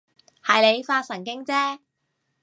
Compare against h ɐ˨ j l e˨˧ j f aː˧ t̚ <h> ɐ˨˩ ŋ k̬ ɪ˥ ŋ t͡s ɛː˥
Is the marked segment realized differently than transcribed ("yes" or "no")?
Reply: yes